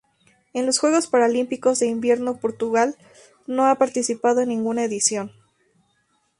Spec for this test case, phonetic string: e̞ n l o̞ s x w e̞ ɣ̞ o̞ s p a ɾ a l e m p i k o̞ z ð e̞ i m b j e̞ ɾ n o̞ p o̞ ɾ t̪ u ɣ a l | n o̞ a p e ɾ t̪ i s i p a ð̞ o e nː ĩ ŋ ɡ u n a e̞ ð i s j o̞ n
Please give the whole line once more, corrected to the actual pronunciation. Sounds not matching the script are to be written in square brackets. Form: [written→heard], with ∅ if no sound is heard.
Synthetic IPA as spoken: e̞ n l o̞ s x w e̞ ɣ̞ o̞ s p a ɾ a l [e→i] m p i k o̞ z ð e̞ i m b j e̞ ɾ n o̞ p o̞ ɾ t̪ u ɣ a l | n o̞ a p [e→a] ɾ t̪ i s i p a ð̞ o e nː ĩ ŋ ɡ u n a e̞ ð i s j o̞ n